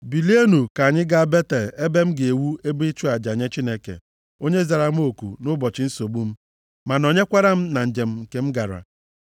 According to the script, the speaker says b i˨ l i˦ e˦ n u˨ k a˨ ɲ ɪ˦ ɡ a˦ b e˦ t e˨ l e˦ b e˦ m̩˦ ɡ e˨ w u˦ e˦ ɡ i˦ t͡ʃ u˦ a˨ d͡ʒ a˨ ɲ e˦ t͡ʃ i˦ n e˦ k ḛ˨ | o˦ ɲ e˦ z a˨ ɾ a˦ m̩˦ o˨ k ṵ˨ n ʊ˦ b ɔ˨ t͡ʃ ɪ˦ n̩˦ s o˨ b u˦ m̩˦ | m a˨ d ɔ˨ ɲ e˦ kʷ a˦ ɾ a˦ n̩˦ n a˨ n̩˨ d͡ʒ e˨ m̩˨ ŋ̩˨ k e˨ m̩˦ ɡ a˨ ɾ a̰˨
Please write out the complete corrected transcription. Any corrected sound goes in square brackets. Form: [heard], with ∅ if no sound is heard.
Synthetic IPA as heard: b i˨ l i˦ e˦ n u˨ k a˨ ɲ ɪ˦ ɡ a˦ b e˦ t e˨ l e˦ b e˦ m̩˦ ɡ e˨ w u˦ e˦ [b] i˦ t͡ʃ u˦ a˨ d͡ʒ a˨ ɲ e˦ t͡ʃ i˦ n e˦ k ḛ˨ | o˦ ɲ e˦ z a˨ ɾ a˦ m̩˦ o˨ k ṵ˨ n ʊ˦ b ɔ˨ t͡ʃ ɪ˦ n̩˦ s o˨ b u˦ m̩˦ | m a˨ [n] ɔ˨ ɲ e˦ kʷ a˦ ɾ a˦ [m̩˦] n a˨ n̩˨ d͡ʒ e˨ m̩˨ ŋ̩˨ k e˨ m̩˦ ɡ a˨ ɾ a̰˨